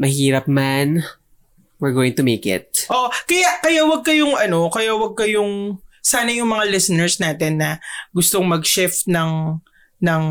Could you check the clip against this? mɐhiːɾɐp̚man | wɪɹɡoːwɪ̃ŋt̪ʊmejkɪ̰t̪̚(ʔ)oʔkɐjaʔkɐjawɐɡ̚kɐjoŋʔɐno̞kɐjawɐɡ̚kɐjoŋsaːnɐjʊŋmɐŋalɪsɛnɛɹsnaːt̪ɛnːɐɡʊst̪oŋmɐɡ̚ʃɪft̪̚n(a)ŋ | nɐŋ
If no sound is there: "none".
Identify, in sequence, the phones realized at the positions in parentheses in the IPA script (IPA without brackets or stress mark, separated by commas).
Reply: ʔ, ɐ